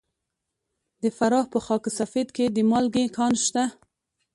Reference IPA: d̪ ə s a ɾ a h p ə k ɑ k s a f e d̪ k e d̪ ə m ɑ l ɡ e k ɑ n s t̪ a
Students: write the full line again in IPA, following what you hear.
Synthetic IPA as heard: d̪ ə f a ɾ ɑ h p ə x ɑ k s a f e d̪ k e d̪ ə m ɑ l ɡ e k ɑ n ʃ t̪ a